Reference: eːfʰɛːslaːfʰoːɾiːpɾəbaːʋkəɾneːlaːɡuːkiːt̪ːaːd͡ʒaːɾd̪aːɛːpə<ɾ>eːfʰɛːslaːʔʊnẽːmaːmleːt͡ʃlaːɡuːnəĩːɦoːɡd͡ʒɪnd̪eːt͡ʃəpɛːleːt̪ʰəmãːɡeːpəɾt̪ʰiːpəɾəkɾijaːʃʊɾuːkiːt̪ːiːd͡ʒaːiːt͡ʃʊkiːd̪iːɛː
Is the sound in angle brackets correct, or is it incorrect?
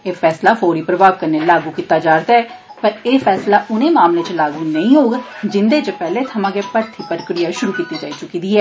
correct